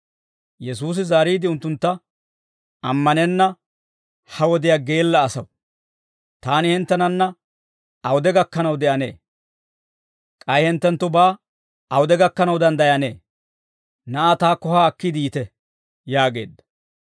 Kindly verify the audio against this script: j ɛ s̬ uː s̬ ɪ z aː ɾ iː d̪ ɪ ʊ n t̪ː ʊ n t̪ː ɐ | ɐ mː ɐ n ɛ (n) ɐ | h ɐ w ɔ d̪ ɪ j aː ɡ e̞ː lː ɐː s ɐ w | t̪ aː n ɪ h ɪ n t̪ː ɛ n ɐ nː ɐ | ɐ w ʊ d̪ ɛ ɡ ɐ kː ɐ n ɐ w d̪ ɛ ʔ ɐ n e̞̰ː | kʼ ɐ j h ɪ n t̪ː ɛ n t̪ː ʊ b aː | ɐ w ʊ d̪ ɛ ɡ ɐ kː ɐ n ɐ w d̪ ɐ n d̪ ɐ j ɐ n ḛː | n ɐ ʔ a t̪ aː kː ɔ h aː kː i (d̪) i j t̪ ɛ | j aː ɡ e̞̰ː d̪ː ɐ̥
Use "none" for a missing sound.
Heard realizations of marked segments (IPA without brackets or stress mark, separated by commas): nː, d̪